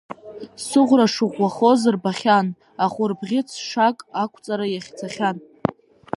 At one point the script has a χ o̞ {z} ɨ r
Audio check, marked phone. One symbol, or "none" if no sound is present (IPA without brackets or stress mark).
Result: z